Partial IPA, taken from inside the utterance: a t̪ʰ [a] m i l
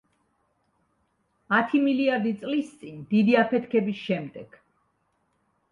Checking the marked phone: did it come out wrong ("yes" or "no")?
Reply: yes